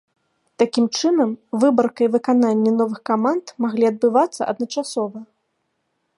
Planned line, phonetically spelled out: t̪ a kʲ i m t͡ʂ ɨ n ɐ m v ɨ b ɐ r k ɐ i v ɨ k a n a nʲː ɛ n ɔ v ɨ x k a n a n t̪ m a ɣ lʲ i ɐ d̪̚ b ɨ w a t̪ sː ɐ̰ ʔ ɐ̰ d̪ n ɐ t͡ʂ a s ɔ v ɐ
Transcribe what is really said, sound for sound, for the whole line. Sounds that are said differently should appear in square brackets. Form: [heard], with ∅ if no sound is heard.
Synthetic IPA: t̪ a kʲ i m t͡ʂ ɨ n ɐ m v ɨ b ɐ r k ɐ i v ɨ k a n a nʲː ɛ n ɔ v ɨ x k a [m] a n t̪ m a ɣ lʲ i ɐ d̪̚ b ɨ [v] a t̪ sː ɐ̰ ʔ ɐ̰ d̪ n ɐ t͡ʂ a s ɔ v ɐ

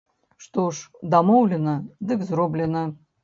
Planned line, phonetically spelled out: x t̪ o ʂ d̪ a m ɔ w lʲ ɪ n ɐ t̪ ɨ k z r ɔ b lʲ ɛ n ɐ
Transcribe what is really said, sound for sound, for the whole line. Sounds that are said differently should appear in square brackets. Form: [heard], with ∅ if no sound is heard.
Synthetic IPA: [ʂ] t̪ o ʂ d̪ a m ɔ w lʲ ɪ n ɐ [d̪] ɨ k z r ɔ b lʲ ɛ n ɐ

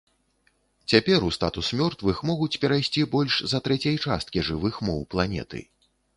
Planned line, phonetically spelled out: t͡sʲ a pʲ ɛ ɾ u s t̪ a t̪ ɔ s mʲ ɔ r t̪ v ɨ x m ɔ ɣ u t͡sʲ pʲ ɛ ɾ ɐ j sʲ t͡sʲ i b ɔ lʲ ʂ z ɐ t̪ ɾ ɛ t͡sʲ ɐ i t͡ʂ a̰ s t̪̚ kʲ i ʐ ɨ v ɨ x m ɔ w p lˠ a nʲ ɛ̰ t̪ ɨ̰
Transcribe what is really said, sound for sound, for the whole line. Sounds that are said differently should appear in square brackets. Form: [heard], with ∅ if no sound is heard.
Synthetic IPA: t͡sʲ a pʲ ɛ ɾ u s t̪ a t̪ [u] s mʲ ɔ r t̪ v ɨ x m ɔ ɣ u t͡sʲ pʲ ɛ ɾ [a] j sʲ t͡sʲ i b ɔ lʲ ʂ z ɐ t̪ ɾ ɛ t͡sʲ ɐ [j] t͡ʂ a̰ s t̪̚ kʲ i ʐ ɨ v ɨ x m ɔ w p lˠ a nʲ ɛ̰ t̪ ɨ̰

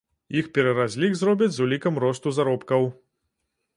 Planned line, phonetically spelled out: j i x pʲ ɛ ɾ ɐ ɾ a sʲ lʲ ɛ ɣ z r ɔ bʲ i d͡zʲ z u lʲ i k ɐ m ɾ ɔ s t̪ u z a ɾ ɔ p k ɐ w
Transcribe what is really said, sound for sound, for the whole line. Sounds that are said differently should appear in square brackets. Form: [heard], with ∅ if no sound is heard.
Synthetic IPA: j i x pʲ ɛ ɾ ɐ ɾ a [zʲ] lʲ [i] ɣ z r ɔ bʲ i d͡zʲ z u lʲ i k ɐ m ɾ ɔ s t̪ u z a ɾ ɔ p k ɐ w

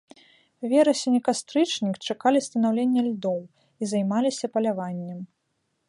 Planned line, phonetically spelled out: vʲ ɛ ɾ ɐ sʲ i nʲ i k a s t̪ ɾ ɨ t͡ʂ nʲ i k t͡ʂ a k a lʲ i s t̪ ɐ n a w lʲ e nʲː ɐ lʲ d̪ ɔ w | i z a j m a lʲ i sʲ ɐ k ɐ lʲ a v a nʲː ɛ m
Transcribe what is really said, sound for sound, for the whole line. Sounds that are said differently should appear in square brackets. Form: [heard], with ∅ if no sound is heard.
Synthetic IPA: vʲ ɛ ɾ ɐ sʲ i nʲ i k a s t̪ ɾ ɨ t͡ʂ nʲ i k t͡ʂ a k a lʲ i s t̪ ɐ n a w lʲ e nʲː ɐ lʲ d̪ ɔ w | i z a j m a lʲ i sʲ ɐ [p] ɐ lʲ a v a nʲː ɛ m

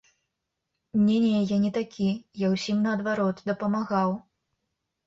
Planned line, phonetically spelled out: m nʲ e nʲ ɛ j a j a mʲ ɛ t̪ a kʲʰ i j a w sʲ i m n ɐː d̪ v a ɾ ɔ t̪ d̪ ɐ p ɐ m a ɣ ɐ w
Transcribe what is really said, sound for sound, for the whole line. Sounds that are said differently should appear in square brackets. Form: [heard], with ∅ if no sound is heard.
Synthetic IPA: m nʲ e nʲ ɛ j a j a [nʲ] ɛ t̪ a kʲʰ i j a w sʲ i m n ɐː d̪ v a ɾ ɔ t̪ d̪ ɐ p ɐ m a ɣ [a] w

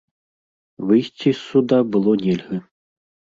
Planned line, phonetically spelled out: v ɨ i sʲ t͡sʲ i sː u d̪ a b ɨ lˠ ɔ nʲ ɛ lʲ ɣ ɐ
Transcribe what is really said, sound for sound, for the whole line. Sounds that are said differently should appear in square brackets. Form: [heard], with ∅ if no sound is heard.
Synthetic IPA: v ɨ [j] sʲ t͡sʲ i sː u d̪ a b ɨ lˠ ɔ nʲ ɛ lʲ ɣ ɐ

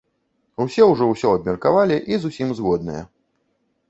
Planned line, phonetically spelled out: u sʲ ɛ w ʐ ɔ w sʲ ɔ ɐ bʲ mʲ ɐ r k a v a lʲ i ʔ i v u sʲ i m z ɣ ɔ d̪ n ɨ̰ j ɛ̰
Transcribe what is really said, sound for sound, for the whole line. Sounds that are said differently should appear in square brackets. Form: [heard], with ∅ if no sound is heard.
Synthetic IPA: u sʲ ɛ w ʐ ɔ w sʲ ɔ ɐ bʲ mʲ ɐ r k a v a lʲ i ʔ i [z] u sʲ i m z ɣ ɔ d̪ n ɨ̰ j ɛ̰

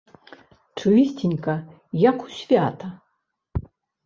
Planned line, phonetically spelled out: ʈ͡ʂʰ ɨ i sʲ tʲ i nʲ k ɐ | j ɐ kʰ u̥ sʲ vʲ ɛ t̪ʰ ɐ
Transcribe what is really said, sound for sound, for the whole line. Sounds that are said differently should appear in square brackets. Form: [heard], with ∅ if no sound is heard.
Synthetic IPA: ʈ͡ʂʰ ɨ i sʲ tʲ i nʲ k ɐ | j [a] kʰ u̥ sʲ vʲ [a] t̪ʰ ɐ

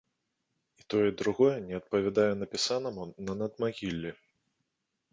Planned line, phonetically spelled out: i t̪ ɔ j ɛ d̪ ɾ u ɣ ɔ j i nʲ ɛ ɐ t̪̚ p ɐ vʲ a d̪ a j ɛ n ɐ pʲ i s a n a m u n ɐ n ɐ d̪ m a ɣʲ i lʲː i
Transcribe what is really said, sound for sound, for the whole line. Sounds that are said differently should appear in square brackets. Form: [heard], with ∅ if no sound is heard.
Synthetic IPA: i t̪ ɔ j ɛ d̪ ɾ u ɣ ɔ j [ɛ] nʲ ɛ ɐ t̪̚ p ɐ vʲ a d̪ a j ɛ n ɐ pʲ i s a n [ɐ] m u n ɐ n ɐ d̪ m a ɣʲ i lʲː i

